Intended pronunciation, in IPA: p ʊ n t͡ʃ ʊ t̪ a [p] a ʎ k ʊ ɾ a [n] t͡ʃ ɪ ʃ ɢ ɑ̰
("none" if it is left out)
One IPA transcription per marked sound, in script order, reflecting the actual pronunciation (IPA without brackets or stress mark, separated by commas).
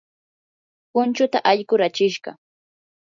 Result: ʔ, none